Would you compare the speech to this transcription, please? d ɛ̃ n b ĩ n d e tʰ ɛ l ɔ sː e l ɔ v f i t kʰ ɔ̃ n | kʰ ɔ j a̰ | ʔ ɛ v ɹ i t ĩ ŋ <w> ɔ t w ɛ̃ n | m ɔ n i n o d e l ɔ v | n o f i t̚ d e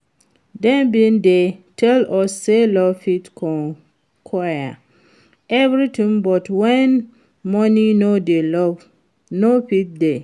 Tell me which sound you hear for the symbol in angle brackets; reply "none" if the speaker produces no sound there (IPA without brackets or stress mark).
b